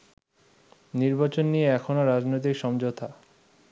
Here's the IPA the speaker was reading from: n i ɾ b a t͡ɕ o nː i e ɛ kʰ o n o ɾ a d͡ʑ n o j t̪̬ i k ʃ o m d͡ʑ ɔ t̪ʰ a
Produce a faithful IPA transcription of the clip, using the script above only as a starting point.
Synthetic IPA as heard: n i ɾ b a t͡ɕ o nː i e ɛ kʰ o n o ɾ a d͡ʑ n o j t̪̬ i k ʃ ɔ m d͡ʑ o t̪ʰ a